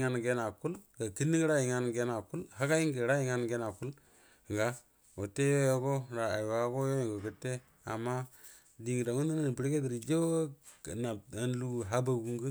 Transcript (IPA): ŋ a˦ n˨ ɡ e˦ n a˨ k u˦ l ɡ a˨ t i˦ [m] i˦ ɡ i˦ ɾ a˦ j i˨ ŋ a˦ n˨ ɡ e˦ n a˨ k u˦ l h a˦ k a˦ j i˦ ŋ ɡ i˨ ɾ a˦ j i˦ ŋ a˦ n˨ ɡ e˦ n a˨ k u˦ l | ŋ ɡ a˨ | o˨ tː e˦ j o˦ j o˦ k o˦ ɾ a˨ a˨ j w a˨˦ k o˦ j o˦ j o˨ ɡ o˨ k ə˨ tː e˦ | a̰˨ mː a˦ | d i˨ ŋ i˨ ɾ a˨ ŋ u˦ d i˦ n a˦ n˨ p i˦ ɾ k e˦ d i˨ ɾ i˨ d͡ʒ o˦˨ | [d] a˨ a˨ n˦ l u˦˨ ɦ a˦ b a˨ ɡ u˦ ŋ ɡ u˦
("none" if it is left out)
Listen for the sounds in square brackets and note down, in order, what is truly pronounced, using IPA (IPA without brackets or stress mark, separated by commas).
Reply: n, n